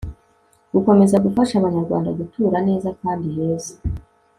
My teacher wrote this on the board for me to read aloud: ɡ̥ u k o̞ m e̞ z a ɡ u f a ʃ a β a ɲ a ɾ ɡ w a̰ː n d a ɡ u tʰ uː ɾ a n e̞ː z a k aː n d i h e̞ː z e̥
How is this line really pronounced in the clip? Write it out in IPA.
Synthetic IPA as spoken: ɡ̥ u k o̞ m e̞ z a ɡ u f a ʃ a β a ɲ a ɾ ɡ w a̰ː n d a ɡ u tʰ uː ɾ a n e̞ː z a k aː n d i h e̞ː z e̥